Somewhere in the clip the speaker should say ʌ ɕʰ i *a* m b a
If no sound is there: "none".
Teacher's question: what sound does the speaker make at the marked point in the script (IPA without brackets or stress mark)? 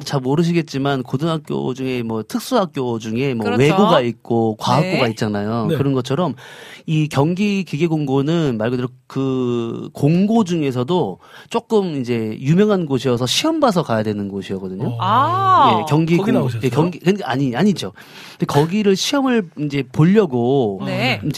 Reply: ʌ